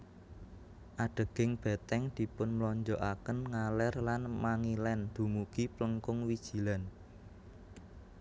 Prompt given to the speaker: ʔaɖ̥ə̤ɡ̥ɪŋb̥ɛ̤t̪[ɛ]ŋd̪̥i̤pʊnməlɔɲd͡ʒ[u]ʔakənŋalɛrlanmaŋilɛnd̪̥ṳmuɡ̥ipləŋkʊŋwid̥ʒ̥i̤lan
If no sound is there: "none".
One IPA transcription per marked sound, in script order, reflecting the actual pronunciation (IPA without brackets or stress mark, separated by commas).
ɛ, ɔ